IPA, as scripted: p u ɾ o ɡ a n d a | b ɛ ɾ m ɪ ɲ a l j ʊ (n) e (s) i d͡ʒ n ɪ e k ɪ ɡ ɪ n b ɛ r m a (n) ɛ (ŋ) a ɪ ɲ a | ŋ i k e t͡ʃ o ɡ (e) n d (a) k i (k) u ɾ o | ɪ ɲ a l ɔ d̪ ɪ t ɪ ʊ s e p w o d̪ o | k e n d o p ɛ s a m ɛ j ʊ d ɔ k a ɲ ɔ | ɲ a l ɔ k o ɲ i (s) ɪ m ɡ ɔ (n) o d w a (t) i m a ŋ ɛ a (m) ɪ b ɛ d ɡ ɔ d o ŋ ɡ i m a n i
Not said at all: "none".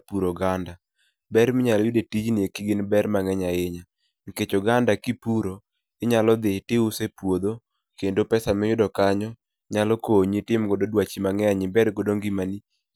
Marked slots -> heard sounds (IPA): d, t, ŋ, ɲ, a, a, p, t, d, t͡ʃ, ɲ

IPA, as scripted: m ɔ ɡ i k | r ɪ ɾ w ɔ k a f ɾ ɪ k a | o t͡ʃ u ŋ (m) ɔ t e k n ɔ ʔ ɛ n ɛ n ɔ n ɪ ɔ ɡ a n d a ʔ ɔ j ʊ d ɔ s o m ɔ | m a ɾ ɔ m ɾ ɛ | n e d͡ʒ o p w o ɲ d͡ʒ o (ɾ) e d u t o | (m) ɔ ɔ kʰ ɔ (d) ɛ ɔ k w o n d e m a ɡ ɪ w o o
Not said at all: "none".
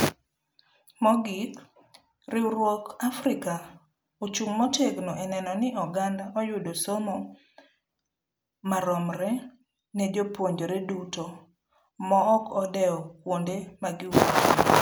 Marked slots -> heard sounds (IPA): m, ɾ, m, d

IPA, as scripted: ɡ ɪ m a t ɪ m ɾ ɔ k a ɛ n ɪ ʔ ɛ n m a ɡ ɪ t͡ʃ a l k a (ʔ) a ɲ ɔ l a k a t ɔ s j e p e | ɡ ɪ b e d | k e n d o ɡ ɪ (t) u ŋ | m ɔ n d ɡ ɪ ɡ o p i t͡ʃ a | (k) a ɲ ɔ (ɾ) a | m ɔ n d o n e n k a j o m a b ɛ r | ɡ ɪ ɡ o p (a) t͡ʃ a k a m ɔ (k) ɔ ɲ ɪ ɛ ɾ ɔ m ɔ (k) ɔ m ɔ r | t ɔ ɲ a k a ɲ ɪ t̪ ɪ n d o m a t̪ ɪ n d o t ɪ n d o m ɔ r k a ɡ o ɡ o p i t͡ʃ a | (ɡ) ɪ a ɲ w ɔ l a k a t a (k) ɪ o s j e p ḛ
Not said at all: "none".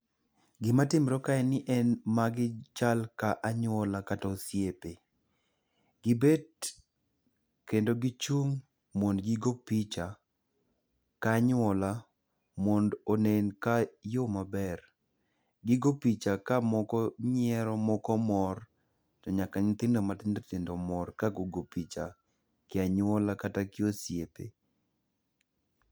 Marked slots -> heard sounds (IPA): ʔ, t͡ʃ, k, l, i, k, k, k, k

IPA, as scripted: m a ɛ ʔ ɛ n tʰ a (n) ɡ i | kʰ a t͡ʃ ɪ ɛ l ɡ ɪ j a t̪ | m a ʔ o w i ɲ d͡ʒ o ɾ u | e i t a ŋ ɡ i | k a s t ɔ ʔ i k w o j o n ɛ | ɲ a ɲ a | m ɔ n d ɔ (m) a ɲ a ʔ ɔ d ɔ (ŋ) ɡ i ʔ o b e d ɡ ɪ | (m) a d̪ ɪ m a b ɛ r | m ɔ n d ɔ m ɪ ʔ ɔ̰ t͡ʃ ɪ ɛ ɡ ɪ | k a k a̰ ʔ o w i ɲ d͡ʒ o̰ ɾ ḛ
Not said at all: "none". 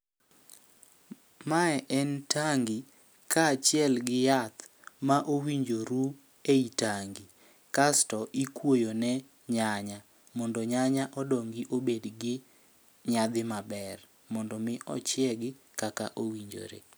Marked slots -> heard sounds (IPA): ŋ, ɲ, ŋ, ɲ

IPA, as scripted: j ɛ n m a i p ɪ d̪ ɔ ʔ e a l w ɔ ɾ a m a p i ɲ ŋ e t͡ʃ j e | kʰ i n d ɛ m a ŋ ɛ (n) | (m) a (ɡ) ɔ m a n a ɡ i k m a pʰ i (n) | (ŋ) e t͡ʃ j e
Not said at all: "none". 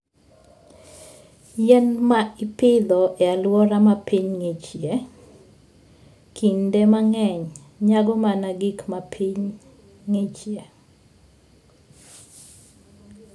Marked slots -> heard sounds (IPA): ɲ, ɲ, ɡ, ɲ, ŋ

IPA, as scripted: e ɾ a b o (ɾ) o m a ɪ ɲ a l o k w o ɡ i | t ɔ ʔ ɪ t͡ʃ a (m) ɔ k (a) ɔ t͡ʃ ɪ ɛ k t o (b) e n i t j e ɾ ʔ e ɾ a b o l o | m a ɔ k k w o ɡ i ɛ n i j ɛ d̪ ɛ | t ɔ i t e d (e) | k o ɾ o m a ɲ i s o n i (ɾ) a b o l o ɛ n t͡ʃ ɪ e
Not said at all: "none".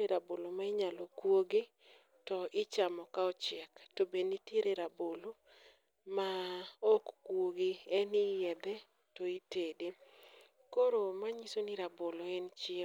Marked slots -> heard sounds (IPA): l, m, a, b, e, ɾ

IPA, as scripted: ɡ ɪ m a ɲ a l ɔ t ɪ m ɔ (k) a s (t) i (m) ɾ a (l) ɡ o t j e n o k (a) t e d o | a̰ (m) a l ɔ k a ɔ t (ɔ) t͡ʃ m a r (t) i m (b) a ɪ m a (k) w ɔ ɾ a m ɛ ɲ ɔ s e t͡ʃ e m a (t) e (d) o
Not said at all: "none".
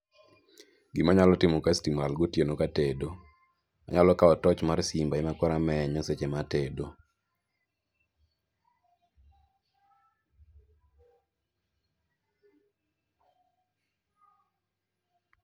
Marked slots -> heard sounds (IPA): k, t, m, l, a, ɲ, ɔ, s, b, k, t, d

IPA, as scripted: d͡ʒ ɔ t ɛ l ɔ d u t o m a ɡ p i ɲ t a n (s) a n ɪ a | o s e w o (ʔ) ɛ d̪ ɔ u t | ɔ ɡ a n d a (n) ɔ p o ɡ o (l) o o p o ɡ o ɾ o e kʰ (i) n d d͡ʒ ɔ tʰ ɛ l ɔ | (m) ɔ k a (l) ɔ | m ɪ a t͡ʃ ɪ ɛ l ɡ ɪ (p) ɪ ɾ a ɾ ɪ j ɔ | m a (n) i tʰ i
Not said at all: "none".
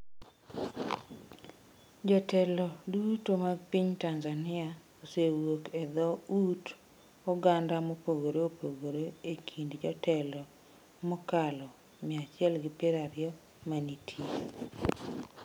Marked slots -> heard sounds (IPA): z, k, m, ɾ, i, m, l, p, n

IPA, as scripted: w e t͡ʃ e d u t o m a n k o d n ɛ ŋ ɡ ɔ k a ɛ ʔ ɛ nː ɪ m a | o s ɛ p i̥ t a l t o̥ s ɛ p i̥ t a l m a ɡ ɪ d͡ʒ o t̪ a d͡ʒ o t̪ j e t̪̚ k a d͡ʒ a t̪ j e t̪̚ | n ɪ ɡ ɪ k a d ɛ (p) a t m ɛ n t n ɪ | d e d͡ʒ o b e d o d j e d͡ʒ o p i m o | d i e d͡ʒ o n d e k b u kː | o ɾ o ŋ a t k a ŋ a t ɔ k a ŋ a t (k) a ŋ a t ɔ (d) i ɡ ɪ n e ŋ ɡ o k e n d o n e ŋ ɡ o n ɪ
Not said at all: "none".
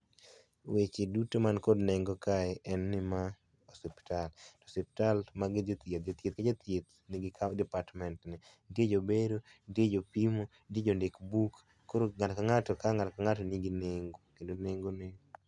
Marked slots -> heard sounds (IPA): p, k, n

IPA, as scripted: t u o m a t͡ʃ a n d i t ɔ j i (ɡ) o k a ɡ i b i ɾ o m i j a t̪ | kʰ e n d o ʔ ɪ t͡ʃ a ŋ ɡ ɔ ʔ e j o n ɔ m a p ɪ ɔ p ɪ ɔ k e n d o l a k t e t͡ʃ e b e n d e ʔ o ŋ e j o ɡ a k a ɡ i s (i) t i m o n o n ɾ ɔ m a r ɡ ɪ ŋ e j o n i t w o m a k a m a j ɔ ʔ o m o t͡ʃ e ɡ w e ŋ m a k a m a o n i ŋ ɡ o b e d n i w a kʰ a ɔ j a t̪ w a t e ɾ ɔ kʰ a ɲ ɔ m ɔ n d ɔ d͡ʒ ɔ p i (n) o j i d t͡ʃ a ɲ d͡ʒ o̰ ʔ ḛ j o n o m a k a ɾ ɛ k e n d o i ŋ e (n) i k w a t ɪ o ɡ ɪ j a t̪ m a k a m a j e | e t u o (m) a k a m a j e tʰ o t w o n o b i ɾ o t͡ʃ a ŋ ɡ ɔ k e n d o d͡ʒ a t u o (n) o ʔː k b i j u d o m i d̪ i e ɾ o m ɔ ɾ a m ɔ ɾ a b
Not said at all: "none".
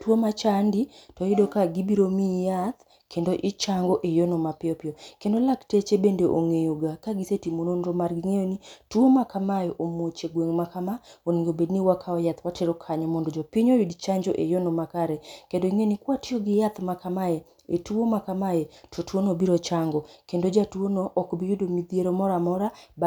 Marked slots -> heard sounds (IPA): d, e, ɲ, n, m, n

